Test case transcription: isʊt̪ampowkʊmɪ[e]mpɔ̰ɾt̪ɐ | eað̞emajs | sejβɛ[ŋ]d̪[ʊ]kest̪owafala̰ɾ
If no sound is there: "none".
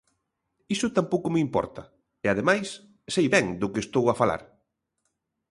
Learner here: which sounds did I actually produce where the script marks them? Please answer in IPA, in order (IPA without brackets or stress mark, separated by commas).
i, ŋ, ʊ